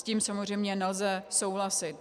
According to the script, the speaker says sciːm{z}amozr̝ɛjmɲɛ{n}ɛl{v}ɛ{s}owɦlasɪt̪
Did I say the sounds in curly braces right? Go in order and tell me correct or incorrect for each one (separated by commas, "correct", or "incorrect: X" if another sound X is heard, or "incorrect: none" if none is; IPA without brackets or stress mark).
incorrect: s, correct, incorrect: z, correct